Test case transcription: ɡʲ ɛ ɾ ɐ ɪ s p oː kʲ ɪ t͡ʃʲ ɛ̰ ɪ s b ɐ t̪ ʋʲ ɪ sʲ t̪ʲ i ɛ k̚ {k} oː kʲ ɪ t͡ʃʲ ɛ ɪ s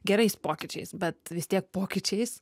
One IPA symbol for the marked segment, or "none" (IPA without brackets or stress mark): p